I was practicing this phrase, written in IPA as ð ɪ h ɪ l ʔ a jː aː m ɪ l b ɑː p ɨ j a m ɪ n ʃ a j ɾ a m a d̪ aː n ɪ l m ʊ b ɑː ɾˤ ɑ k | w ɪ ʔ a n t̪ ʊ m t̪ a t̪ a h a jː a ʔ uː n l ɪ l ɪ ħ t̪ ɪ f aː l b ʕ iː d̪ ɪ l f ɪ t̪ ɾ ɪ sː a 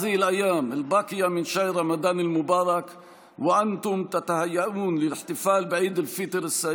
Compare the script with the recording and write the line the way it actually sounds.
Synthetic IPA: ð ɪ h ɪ l ʔ a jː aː m ɪ l b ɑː q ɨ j a m ɪ n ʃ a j ɾ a m a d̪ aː n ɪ l m ʊ b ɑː ɾˤ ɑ k | w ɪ ʔ a n t̪ ʊ m t̪ a t̪ a h a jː a ʔ uː n l ɪ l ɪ ħ t̪ ɪ f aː l b ʕ iː d̪ ɪ l f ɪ t̪ ɾ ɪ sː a